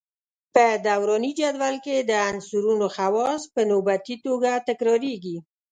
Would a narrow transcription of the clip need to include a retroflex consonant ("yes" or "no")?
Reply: no